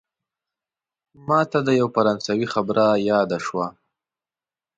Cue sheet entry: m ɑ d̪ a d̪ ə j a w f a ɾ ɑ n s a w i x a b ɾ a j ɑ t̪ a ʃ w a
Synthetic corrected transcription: m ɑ t̪ a d̪ ə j a w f a ɾ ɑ n s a w i x a b ɾ a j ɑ d̪ a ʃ w a